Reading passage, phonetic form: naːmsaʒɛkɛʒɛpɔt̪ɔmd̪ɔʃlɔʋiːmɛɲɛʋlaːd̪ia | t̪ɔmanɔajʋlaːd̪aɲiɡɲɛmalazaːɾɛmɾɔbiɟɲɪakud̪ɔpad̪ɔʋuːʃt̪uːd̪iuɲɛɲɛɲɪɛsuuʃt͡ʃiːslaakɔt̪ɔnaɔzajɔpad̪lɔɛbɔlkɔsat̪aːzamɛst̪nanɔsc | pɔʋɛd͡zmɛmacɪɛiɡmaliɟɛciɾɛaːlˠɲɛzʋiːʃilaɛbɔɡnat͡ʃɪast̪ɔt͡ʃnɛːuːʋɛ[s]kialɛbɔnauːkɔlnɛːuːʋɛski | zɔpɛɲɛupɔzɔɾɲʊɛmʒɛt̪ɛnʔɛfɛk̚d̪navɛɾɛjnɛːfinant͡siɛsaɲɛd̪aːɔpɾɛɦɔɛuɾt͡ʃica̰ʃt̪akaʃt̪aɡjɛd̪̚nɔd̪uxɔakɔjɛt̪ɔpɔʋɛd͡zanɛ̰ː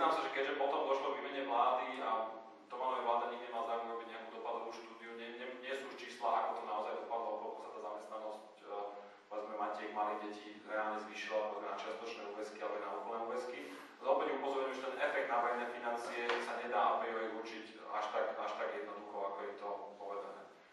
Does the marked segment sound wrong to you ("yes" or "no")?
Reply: no